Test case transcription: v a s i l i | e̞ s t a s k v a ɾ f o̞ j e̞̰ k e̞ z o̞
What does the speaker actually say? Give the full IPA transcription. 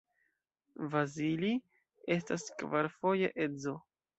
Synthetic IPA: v a z i l i | e̞ s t a s k v a ɾ f o̞ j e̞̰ ʔ e̞ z o̞